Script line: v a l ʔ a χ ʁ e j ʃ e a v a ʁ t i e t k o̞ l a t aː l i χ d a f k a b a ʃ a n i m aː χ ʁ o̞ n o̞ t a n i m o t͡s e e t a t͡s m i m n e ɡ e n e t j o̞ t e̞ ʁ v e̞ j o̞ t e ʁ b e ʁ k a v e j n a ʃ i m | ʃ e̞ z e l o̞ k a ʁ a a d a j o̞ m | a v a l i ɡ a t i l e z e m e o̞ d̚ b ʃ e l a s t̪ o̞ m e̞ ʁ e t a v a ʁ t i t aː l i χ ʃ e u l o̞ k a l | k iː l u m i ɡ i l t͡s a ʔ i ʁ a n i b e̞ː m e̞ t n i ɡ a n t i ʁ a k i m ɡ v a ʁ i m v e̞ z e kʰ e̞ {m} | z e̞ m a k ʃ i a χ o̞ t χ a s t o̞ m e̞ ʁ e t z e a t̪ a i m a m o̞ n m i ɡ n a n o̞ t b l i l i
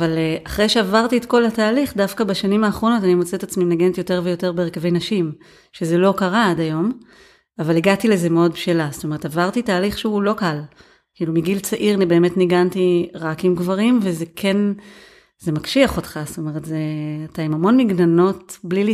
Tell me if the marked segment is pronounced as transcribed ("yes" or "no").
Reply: no